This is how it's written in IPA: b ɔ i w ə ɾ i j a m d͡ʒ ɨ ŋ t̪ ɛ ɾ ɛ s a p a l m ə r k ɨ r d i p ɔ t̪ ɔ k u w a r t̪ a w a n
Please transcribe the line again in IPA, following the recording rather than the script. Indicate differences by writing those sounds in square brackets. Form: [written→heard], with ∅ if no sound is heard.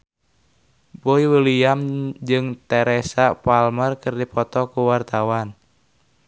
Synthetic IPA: b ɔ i w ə [ɾ→l] i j a m d͡ʒ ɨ ŋ t̪ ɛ ɾ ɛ s a p a l m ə r k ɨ r d i p ɔ t̪ ɔ k u w a r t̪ a w a n